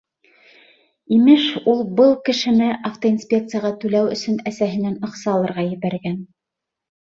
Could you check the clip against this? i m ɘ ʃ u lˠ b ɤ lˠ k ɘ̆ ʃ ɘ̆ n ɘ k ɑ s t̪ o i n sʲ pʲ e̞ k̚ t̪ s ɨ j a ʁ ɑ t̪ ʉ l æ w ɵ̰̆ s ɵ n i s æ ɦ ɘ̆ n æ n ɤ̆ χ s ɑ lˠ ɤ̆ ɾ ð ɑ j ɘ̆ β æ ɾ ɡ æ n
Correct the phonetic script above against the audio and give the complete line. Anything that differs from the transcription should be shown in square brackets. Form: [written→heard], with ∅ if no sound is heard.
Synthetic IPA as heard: i m ɘ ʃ u lˠ b ɤ lˠ k ɘ̆ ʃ ɘ̆ n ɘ [k→ʔ] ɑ [s→f] t̪ o i n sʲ pʲ e̞ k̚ t̪ s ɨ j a ʁ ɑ t̪ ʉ l æ w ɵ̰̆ s ɵ n [i→æ] s æ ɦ ɘ̆ n æ n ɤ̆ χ s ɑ lˠ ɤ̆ ɾ [ð→ʁ] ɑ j ɘ̆ β æ ɾ ɡ æ n